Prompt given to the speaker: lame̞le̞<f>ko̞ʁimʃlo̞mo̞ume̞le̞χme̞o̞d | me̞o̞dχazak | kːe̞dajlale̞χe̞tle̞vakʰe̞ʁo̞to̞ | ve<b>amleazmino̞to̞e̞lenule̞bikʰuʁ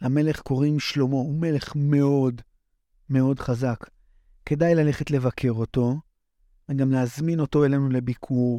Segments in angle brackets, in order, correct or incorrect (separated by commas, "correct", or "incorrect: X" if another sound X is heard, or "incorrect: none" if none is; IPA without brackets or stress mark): incorrect: χ, incorrect: ɡ